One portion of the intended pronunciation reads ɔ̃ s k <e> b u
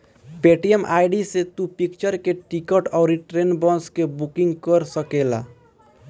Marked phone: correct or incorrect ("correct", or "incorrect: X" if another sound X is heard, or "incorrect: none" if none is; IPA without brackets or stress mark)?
correct